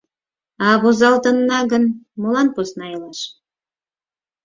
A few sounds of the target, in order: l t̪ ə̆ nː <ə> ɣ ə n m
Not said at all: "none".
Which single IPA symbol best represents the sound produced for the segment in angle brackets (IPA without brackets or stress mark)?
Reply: ɑ